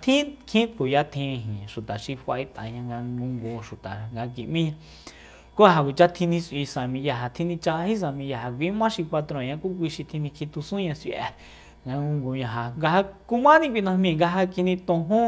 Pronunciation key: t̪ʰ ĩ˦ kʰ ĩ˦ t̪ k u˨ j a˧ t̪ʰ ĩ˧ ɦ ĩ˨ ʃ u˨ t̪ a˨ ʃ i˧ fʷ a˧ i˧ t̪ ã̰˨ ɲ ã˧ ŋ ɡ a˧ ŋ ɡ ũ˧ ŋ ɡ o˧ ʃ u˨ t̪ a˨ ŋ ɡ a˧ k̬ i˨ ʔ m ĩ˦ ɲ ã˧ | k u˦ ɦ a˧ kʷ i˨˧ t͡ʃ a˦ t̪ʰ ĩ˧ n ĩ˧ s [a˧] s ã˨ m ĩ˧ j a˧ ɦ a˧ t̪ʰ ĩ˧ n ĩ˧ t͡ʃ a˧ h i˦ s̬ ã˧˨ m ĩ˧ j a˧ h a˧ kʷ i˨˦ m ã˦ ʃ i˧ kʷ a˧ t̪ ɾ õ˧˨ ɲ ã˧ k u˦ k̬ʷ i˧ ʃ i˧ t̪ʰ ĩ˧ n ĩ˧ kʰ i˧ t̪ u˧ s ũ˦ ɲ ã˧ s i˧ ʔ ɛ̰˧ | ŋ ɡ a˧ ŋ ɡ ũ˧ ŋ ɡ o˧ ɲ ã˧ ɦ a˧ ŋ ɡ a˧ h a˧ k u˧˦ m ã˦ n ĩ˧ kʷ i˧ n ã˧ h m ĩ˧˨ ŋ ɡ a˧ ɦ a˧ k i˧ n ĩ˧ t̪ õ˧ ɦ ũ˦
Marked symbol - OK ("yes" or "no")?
no